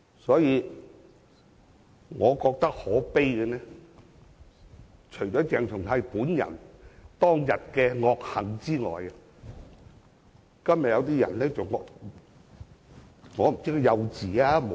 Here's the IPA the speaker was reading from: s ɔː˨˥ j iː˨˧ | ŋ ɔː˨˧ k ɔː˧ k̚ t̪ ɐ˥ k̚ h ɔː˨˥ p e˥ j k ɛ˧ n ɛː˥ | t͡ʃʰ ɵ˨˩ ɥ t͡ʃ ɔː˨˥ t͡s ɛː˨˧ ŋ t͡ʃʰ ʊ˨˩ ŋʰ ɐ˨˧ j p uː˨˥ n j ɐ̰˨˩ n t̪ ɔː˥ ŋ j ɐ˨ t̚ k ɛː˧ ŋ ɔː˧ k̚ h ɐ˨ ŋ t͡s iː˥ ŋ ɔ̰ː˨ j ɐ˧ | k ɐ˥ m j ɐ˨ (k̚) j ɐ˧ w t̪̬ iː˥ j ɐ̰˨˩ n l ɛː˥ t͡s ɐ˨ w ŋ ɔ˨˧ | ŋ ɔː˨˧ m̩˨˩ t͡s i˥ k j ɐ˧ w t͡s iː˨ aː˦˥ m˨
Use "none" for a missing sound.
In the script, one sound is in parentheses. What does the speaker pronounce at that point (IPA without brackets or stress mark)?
t̚